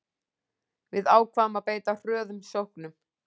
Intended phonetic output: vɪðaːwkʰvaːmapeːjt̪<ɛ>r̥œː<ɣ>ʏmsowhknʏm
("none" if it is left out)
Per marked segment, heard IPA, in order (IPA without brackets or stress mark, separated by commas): a, ð